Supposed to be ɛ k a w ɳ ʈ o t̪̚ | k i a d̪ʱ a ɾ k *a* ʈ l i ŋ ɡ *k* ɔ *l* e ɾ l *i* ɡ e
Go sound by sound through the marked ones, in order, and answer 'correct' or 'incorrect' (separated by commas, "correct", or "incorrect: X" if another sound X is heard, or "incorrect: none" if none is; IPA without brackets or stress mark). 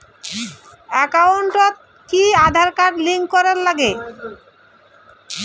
correct, correct, incorrect: ɾ, incorrect: a